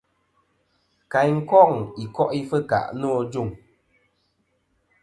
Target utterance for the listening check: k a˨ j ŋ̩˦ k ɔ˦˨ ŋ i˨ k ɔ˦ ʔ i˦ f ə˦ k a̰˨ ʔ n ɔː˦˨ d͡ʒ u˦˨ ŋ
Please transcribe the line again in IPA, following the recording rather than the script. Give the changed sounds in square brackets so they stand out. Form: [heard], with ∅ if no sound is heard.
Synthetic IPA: k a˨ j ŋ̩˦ k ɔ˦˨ ŋ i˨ k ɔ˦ ʔ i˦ f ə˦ k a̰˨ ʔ n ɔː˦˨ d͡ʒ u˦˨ ŋ